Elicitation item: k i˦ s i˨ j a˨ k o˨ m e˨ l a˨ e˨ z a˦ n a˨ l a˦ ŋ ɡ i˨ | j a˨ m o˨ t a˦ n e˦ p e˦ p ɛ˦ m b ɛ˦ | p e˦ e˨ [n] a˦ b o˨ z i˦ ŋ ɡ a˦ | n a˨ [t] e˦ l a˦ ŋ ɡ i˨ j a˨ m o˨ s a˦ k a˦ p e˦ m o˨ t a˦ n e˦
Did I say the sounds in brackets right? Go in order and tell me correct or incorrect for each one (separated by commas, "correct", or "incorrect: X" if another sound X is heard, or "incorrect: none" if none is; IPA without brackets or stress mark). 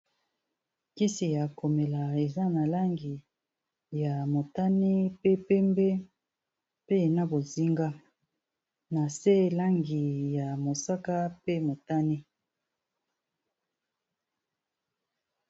correct, incorrect: s